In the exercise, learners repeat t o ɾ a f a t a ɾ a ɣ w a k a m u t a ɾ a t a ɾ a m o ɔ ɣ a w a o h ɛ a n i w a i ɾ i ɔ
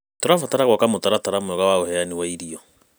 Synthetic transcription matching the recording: t o ɾ a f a t a ɾ a ɣ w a k a m o t a ɾ a t a ɾ a m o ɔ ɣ a w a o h ɛ a n i w a i ɾ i ɔ